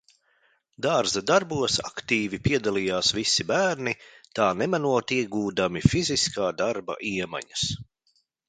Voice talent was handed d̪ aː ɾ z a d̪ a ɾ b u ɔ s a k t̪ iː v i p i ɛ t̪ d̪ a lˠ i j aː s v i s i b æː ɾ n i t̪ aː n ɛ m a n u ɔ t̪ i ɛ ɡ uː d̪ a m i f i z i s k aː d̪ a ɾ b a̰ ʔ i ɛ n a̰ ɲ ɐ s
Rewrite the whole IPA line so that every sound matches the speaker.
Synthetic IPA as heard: d̪ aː ɾ z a d̪ a ɾ b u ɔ s a k t̪ iː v i p i ɛ d̪ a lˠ i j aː s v i s i b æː ɾ n i t̪ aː n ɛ m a n u ɔ t̪ i ɛ ɡ uː d̪ a m i f i z i s k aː d̪ a ɾ b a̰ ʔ i ɛ m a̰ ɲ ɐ s